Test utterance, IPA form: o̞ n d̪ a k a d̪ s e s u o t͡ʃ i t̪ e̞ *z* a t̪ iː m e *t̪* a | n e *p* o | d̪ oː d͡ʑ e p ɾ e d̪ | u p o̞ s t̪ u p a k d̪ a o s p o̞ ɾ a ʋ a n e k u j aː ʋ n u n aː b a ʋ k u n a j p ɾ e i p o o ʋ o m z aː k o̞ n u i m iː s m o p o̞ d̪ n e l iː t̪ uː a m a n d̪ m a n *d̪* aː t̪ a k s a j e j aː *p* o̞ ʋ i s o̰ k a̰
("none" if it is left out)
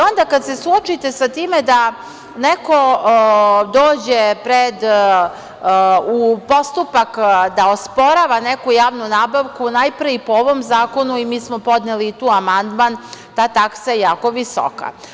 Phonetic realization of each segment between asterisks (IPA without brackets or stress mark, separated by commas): s, d̪, k, t̪, k